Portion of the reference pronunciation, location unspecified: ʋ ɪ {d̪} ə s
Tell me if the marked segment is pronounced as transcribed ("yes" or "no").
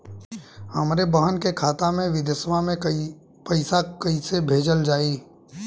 yes